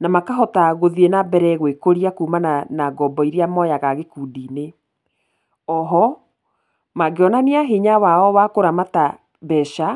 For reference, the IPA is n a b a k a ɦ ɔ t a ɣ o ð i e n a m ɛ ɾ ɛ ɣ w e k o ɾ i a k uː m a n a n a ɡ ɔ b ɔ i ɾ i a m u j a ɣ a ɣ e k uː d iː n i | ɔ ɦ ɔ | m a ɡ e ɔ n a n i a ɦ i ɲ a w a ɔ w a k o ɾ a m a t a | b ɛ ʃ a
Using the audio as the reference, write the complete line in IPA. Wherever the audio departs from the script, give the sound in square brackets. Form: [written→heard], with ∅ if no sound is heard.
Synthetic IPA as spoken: n a [b→m] a k a ɦ ɔ t a ɣ o ð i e n a [m→b] ɛ ɾ ɛ ɣ w e k o ɾ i a k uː m a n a n a ɡ ɔ b ɔ i ɾ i a m [u→ɔ] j a ɣ a ɣ e k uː d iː n [i→e] | ɔ ɦ ɔ | m a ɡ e ɔ n a n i a ɦ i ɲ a w a ɔ w a k o ɾ a m a t a | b ɛ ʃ a